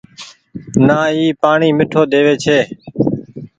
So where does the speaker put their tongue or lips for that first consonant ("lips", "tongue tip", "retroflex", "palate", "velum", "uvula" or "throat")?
tongue tip